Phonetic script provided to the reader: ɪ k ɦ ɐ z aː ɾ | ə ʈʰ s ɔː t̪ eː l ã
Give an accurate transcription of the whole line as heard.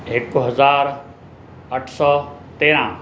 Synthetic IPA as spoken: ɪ k ɦ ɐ z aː ɾ | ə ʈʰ s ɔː t̪ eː ɾ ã